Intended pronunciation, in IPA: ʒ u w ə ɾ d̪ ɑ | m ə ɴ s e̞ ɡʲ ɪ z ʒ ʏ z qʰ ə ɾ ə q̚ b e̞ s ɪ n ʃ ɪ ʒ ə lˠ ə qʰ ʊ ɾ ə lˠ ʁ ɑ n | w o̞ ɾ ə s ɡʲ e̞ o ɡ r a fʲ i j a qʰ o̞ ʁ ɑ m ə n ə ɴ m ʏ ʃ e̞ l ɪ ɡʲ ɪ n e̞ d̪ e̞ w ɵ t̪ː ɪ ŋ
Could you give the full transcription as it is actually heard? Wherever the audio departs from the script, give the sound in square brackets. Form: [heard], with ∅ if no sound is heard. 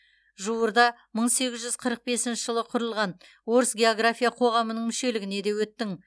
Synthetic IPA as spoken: ʒ u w ə ɾ d̪ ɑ | m ə ɴ s e̞ ɡʲ ɪ z ʒ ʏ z qʰ ə ɾ ə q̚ b e̞ s ɪ n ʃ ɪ ʒ ə lˠ ə qʰ ʊ ɾ ə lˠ ʁ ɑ n | w o̞ ɾ ə s ɡʲ e̞ o ɡ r a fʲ i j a qʰ o̞ ʁ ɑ m ə n ə ɴ m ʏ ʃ e̞ l ɪ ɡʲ ɪ n e̞ d̪ e̞ w ɵ t̪ː ɪ ŋ